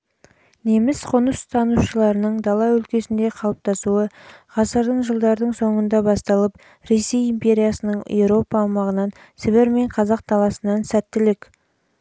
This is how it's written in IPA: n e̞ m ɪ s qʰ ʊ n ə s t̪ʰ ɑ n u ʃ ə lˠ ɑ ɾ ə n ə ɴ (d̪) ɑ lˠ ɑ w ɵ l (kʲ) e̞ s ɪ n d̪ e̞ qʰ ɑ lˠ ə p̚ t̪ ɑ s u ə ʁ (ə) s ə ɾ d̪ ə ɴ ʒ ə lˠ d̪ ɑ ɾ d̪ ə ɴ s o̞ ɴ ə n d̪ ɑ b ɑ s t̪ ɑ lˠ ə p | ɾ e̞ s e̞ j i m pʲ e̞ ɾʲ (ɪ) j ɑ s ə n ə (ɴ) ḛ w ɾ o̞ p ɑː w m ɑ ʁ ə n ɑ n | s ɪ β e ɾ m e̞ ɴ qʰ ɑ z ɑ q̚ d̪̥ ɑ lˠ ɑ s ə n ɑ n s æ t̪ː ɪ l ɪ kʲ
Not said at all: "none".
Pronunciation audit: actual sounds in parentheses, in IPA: d̪, kʲ, ɑ, i, ɴ

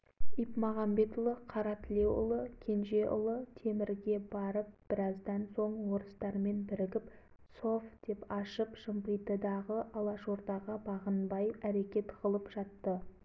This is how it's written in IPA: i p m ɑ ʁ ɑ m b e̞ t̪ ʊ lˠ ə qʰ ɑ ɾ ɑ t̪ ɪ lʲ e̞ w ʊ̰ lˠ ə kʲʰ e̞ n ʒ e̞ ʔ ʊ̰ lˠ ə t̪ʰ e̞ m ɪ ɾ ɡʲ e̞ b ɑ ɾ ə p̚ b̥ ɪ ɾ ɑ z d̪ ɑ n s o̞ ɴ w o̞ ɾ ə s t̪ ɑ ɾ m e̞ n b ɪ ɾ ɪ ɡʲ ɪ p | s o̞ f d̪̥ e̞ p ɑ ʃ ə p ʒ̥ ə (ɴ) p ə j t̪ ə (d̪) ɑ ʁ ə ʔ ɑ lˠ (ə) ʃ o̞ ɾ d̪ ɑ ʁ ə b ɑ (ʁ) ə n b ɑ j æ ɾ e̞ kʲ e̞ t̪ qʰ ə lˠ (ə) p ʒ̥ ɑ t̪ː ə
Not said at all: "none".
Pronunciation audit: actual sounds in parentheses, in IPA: m, d̪, ɑ, ʁ, ə

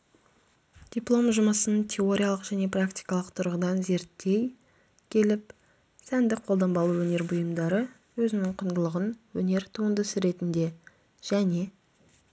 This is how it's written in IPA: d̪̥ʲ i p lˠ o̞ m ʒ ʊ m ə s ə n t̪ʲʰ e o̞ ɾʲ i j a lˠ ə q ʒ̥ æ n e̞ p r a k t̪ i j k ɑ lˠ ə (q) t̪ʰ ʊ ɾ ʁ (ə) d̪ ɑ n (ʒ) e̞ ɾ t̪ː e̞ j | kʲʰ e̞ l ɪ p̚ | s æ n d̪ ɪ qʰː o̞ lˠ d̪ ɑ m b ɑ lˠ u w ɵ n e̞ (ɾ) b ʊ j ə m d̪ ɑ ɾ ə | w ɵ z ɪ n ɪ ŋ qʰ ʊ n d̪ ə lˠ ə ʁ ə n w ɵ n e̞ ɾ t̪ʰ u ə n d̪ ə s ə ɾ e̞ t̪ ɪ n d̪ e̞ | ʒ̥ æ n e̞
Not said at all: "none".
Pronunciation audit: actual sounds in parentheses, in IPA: q, ə, z, ɾ

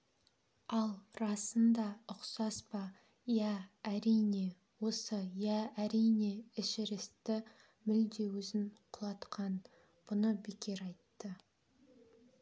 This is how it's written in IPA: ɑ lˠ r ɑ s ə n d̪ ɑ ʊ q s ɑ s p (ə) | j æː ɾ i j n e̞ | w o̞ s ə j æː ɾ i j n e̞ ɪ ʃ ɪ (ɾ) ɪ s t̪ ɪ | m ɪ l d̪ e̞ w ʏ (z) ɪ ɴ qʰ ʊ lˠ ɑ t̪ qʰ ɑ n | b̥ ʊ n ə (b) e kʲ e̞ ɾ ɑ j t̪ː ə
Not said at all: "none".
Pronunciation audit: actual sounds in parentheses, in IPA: ɑ, ɾ, z, b

